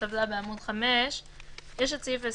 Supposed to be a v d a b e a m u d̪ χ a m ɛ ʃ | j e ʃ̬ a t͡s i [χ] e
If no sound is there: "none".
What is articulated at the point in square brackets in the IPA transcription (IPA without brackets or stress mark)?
f